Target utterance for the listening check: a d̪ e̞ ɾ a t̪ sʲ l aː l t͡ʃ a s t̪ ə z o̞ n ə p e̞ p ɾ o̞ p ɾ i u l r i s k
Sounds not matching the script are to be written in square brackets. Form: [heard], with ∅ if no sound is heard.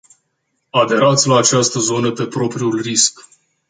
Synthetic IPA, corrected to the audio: a d̪ e̞ ɾ a t̪ sʲ l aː [∅] t͡ʃ a s t̪ ə z o̞ n ə p e̞ p ɾ o̞ p ɾ i u l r i s k